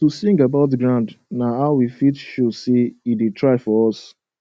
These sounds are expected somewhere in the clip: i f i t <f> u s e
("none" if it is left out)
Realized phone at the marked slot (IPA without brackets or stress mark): ʃ